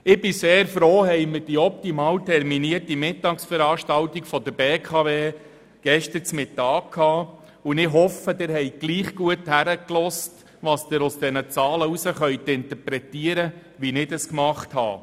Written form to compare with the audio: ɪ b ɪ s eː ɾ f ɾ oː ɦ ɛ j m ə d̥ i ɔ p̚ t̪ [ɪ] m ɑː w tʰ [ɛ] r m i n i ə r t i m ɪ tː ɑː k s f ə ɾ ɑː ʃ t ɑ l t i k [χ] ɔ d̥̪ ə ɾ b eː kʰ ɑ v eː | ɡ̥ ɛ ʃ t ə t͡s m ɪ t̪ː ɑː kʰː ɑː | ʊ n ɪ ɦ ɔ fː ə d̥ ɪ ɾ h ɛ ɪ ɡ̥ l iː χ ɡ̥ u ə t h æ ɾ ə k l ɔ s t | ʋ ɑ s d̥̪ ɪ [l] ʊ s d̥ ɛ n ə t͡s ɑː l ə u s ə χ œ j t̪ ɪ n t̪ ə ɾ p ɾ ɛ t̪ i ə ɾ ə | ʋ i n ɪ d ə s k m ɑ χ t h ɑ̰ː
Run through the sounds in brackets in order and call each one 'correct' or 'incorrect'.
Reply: incorrect: i, correct, incorrect: f, incorrect: ɾ

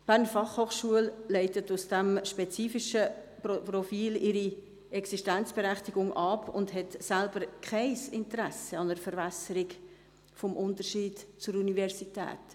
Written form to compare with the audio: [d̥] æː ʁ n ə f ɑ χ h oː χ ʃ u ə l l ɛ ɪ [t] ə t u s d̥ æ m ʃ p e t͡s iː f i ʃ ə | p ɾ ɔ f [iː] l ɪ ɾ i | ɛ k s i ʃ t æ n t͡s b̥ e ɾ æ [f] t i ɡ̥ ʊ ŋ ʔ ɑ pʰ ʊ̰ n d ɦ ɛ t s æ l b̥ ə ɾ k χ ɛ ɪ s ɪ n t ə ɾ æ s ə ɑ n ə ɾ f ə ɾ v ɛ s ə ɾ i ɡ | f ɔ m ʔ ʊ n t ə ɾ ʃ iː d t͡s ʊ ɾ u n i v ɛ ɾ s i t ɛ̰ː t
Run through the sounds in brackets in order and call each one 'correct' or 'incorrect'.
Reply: incorrect: b̥, correct, correct, incorrect: χ

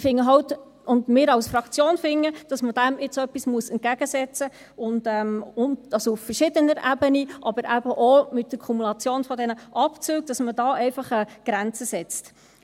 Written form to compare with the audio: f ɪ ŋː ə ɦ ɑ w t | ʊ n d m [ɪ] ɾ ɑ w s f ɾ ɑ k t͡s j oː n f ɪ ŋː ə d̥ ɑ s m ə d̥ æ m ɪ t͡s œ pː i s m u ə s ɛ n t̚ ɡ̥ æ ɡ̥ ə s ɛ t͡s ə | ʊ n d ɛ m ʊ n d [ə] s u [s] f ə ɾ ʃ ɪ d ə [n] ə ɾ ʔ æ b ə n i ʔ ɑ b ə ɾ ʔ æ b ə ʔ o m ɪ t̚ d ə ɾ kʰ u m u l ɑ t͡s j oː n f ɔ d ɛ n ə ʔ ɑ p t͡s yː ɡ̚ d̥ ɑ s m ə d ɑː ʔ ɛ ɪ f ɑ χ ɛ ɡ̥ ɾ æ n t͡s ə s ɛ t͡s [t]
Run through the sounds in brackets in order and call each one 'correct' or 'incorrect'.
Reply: incorrect: ɪː, incorrect: ɑ, incorrect: f, correct, correct

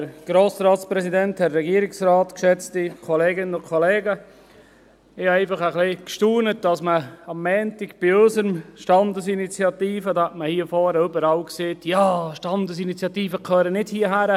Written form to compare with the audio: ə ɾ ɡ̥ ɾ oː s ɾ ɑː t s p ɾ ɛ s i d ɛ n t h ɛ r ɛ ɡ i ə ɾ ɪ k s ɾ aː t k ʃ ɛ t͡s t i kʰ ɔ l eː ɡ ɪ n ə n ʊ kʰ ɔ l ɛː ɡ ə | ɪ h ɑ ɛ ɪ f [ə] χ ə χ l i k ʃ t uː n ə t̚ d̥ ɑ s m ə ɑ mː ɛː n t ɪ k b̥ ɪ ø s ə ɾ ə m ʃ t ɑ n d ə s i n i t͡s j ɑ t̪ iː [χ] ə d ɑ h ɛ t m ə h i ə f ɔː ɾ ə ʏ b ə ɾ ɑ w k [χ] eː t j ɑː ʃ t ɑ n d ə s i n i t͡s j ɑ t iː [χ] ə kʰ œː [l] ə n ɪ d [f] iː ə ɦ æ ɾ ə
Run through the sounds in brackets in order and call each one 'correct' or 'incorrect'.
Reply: incorrect: ɑ, incorrect: f, incorrect: s, incorrect: f, incorrect: ɾ, incorrect: h

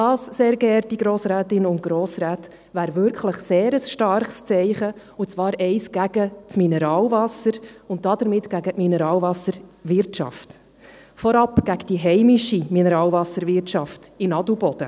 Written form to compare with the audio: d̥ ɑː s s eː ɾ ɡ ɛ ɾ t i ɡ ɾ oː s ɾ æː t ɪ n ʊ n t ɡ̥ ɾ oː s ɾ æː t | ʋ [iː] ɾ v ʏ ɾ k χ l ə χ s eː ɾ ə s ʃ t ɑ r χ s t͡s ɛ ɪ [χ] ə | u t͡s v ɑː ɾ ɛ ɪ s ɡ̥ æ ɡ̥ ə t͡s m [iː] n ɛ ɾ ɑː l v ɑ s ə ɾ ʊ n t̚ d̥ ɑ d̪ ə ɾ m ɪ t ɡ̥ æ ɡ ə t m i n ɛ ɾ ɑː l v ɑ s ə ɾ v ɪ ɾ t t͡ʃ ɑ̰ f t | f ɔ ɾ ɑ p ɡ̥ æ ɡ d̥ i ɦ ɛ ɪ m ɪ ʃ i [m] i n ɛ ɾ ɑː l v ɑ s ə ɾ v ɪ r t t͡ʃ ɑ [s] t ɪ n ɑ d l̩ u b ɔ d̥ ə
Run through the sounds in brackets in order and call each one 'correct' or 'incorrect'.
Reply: incorrect: æː, correct, incorrect: i, correct, incorrect: f

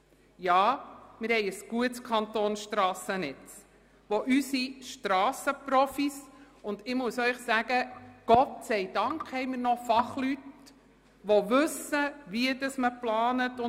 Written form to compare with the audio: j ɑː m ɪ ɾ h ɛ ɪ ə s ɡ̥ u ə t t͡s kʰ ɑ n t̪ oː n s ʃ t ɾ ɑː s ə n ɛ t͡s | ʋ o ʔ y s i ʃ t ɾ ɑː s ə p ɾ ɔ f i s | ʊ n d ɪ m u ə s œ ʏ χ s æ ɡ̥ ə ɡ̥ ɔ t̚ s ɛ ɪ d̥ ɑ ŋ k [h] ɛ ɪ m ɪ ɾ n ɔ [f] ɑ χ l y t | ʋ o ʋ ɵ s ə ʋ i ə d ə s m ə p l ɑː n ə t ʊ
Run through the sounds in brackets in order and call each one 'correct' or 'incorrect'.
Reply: correct, correct

